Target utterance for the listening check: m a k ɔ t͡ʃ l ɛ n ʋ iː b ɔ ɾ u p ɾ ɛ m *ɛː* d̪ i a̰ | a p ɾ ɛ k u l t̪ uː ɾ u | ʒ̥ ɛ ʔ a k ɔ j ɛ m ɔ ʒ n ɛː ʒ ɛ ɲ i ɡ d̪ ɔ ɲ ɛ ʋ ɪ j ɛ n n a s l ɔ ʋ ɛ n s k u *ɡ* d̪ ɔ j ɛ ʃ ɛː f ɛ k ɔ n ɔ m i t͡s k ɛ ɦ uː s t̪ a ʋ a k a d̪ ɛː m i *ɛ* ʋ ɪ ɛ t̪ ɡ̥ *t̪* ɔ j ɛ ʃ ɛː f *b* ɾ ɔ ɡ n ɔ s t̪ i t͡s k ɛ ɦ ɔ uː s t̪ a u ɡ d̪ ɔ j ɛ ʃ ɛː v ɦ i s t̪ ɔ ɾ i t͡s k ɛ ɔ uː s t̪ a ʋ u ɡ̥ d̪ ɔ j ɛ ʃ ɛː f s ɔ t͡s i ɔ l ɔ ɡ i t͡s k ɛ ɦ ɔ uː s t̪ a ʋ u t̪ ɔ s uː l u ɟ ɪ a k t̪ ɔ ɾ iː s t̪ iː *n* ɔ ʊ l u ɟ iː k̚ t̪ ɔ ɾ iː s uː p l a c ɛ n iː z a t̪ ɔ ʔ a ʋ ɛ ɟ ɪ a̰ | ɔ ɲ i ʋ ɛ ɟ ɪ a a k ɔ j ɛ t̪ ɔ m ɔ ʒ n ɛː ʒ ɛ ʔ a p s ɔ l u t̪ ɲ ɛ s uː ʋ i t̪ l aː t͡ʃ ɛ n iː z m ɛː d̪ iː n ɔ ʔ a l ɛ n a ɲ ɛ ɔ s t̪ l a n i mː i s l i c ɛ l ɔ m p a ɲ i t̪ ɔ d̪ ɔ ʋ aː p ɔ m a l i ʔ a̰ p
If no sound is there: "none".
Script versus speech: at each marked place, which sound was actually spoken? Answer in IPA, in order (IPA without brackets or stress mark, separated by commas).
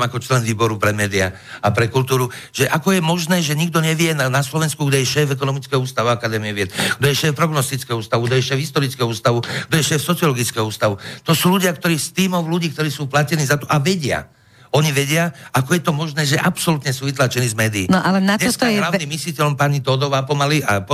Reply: ɛː, ɡ, ɛ, d̪, p, m